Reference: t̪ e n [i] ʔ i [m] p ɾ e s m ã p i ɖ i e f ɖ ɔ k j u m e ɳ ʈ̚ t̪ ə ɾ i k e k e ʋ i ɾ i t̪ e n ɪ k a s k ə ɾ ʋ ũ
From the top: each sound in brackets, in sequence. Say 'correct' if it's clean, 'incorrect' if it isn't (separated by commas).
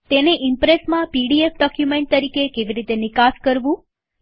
incorrect, correct